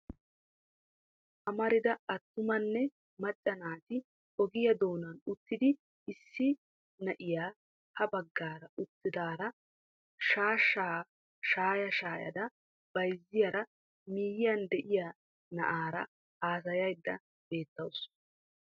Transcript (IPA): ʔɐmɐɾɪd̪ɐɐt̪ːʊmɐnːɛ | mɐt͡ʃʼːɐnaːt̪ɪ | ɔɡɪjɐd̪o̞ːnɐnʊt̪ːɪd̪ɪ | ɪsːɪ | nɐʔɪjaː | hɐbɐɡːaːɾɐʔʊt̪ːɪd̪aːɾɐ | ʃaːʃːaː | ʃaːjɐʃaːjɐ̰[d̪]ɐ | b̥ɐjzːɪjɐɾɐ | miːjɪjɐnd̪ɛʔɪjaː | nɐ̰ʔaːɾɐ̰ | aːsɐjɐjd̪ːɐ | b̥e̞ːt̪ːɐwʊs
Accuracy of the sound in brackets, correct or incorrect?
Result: correct